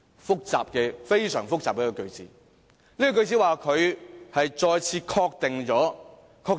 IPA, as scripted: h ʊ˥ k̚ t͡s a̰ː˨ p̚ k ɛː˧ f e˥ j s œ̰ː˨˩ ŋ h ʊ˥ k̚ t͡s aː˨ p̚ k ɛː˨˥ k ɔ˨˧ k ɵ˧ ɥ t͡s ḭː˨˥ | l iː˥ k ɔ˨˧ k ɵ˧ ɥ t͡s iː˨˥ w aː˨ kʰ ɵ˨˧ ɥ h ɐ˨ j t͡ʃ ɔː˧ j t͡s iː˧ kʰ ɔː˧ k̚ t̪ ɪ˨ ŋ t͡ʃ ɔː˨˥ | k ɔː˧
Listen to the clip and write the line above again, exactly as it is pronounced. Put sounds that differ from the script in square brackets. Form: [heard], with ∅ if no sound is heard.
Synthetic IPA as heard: [f] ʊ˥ k̚ t͡s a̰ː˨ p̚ k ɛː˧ f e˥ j s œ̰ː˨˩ ŋ [f] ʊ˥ k̚ t͡s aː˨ p̚ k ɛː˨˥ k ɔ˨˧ k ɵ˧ ɥ t͡s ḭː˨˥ | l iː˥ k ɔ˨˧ k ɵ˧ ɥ t͡s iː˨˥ w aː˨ kʰ ɵ˨˧ ɥ h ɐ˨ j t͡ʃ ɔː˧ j [t͡sʰ] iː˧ kʰ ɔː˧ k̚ t̪ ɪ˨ ŋ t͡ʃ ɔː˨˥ | [kʰ] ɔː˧

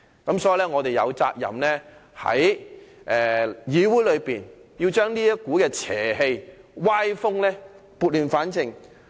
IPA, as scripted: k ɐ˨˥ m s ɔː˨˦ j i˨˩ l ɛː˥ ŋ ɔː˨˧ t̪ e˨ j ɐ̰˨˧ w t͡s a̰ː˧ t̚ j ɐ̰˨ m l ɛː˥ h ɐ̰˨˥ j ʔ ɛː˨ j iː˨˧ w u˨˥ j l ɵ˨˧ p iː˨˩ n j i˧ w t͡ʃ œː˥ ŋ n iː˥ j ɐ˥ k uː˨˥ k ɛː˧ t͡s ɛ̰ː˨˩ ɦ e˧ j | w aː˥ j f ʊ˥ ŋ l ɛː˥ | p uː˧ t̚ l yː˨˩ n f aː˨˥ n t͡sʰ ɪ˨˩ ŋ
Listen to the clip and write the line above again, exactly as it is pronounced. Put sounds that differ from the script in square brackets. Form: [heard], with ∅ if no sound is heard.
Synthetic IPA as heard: k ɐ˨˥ m s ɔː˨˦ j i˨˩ l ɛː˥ ŋ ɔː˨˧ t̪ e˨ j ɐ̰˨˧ w t͡s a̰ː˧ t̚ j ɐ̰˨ m l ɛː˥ h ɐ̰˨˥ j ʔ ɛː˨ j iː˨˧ w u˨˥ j l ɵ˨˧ p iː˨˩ n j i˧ w t͡ʃ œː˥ ŋ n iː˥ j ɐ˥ k uː˨˥ k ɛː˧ [t͡sʰ] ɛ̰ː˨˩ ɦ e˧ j | w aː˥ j f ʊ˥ ŋ l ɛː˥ | p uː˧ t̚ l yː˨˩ n f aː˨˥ n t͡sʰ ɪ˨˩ ŋ

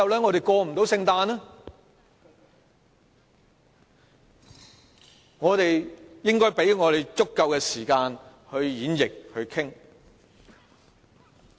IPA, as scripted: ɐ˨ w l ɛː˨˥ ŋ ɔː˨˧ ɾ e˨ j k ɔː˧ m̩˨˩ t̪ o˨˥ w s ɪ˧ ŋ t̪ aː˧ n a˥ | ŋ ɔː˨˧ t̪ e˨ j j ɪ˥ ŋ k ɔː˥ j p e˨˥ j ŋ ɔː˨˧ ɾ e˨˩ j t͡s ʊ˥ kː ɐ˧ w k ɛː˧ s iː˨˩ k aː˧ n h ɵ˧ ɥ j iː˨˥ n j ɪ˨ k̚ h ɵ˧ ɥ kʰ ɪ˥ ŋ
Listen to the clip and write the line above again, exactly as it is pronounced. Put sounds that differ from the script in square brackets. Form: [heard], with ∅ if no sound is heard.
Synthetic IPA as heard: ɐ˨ w l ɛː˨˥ ŋ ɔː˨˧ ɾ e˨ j k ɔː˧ m̩˨˩ t̪ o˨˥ w s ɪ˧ ŋ t̪ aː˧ n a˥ | ŋ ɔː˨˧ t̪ e˨ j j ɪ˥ ŋ k ɔː˥ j p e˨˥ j ŋ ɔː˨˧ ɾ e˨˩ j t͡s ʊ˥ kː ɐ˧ w k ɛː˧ s iː˨˩ k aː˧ n h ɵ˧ ɥ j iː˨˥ n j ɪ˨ k̚ h ɵ˧ ɥ kʰ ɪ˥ ŋ

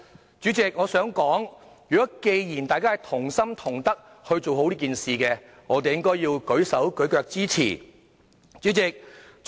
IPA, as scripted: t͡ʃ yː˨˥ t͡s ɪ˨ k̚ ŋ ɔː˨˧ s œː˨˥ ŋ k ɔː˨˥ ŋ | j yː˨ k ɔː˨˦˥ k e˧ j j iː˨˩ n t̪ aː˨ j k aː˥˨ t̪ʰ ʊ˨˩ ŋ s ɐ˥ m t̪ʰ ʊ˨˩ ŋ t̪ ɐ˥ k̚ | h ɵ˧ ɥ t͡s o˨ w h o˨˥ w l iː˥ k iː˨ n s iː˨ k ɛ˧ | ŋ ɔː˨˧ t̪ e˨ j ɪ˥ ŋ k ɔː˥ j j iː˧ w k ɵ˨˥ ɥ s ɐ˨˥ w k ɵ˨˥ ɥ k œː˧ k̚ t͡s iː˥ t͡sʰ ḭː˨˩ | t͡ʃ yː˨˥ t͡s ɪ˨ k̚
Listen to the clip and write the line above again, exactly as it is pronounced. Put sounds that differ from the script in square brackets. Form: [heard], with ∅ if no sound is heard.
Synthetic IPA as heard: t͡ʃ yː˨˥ t͡s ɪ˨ k̚ ŋ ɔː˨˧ s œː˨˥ ŋ k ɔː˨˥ ŋ | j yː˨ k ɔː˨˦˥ k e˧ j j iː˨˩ n t̪ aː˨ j k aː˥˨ t̪ʰ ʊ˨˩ ŋ s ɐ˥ m t̪ʰ ʊ˨˩ ŋ t̪ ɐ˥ k̚ | h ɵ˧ ɥ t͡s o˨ w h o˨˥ w l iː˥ k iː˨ n s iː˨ k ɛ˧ | ŋ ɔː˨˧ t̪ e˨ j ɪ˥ ŋ k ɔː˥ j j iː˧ w k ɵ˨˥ ɥ s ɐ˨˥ w k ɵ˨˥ ɥ k œː˧ k̚ t͡s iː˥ t͡sʰ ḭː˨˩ | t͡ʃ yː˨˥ t͡s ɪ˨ k̚

